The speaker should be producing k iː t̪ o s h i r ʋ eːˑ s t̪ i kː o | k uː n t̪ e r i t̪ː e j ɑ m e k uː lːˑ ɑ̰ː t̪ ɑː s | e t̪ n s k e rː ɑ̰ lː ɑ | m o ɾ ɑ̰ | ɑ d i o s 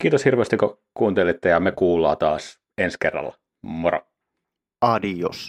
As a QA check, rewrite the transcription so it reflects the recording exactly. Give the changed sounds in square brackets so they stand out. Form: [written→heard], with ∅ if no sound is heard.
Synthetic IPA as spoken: k iː t̪ o s h i r ʋ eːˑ s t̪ i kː o | k uː n t̪ e [r→l] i t̪ː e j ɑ m e k uː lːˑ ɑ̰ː t̪ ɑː s | e [t̪→∅] n s k e rː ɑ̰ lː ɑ | m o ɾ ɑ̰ | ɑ d i o s